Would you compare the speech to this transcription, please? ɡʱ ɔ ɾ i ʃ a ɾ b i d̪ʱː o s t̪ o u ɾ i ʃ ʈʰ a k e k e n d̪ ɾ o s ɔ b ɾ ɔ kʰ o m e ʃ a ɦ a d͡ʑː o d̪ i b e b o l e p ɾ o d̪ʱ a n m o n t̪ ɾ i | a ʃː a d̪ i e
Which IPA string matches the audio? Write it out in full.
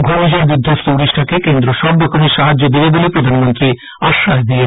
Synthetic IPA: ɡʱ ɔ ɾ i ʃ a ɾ b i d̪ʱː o s t̪ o u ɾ i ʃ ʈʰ a k e k e n d̪ ɾ o ʃ ɔ b ɾ ɔ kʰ o m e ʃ a ɦ a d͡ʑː o d̪ i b e b o l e p ɾ o d̪ʱ a n m o n t̪ ɾ i | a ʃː a d̪ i e